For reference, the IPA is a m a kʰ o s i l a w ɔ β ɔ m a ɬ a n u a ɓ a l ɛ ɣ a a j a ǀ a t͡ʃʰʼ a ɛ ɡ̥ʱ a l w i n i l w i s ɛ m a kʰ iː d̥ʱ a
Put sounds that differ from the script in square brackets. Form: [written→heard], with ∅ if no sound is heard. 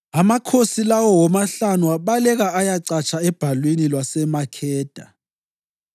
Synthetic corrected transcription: a m a kʰ o s i l a w ɔ [β→w] ɔ m a ɬ a n u a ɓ a l ɛ ɣ a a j a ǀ a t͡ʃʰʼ a ɛ [ɡ̥ʱ→b̥ʱ] a l w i n i l w [i→a] s ɛ m a kʰ [iː→ɛː] d̥ʱ a